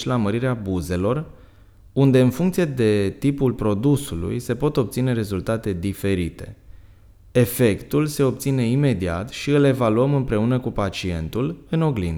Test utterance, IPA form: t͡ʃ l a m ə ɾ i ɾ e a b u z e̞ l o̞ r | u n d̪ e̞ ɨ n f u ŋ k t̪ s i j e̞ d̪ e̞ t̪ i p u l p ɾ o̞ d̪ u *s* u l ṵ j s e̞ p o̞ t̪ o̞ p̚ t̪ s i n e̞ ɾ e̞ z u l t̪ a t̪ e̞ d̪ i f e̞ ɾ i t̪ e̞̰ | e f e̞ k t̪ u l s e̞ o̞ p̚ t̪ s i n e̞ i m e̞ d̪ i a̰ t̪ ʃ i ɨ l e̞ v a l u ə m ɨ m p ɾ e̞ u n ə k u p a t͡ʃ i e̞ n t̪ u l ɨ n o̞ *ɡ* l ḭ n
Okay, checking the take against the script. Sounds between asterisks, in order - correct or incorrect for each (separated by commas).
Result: correct, correct